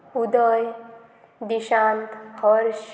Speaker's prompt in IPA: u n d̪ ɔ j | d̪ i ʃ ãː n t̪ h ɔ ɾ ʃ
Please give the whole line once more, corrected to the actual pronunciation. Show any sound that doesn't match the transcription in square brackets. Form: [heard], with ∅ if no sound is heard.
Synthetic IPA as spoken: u [∅] d̪ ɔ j | d̪ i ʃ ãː n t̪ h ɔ ɾ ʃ